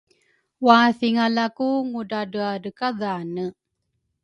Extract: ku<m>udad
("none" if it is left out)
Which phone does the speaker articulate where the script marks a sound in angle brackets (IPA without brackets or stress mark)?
ŋ